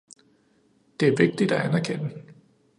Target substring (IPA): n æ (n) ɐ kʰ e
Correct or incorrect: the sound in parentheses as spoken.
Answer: incorrect: none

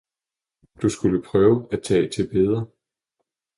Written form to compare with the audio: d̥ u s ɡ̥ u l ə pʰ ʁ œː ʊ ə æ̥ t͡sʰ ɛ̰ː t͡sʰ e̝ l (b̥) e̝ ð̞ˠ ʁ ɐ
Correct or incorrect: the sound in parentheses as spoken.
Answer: correct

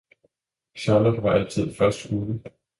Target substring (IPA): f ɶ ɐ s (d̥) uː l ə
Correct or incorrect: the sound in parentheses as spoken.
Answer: correct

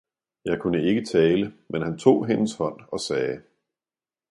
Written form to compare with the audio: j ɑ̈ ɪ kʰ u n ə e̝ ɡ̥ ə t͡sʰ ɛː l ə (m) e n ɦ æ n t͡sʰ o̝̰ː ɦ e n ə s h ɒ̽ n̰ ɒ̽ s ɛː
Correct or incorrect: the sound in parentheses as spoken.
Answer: correct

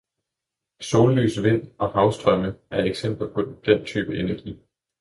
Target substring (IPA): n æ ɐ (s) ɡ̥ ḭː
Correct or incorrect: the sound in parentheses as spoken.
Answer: incorrect: none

